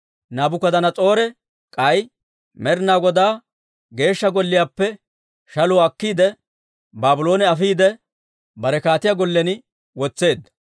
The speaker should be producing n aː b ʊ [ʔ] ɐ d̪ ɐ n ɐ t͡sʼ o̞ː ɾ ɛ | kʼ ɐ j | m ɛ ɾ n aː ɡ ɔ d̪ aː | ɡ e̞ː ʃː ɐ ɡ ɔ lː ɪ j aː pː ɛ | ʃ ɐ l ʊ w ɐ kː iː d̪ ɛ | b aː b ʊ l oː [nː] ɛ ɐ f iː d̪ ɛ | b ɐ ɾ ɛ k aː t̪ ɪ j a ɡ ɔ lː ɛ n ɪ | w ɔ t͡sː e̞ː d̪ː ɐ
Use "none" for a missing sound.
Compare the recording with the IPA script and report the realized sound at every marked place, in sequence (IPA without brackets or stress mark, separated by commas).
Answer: k, n